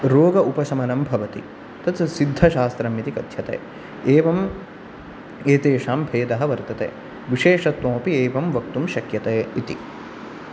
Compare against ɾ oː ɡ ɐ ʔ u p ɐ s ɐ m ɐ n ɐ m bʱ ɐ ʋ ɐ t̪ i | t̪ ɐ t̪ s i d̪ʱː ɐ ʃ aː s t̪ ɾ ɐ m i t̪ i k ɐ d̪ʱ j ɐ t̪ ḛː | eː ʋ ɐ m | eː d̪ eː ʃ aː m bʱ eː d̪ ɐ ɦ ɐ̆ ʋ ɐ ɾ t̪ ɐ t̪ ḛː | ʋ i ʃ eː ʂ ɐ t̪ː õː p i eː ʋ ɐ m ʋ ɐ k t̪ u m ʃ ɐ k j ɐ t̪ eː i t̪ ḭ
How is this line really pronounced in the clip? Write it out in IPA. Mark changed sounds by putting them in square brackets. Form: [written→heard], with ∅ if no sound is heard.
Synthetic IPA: ɾ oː ɡ ɐ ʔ u p ɐ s ɐ m ɐ n ɐ m bʱ ɐ ʋ ɐ t̪ i | t̪ ɐ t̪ s i d̪ʱː ɐ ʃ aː s t̪ ɾ ɐ m i t̪ i k ɐ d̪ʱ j ɐ t̪ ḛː | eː ʋ ɐ m | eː [d̪→t̪] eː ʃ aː m bʱ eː d̪ ɐ ɦ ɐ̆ ʋ ɐ ɾ t̪ ɐ t̪ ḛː | ʋ i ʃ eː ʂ ɐ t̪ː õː p i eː ʋ ɐ m ʋ ɐ k t̪ u m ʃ ɐ k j ɐ t̪ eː i t̪ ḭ